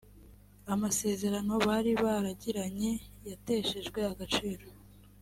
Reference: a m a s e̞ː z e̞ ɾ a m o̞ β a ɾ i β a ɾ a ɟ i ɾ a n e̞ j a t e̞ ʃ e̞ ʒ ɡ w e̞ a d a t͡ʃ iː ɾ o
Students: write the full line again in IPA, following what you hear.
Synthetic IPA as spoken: a m a s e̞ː z e̞ ɾ a n o̞ β a ɾ i β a ɾ a ɟ i ɾ a ɲ e̞ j a t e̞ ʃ e̞ ʒ ɡ w e̞ a ɡ a t͡ʃ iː ɾ o